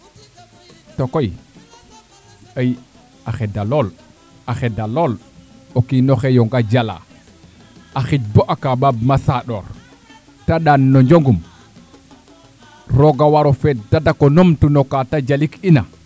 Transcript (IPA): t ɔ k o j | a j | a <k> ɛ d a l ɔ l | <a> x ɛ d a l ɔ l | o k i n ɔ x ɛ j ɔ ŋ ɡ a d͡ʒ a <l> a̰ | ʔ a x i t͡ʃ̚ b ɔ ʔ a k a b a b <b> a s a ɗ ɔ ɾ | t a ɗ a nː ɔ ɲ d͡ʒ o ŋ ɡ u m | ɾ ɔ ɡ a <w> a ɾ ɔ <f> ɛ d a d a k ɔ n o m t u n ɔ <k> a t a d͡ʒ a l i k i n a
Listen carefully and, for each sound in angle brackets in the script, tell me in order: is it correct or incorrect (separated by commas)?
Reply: incorrect, correct, correct, incorrect, correct, correct, correct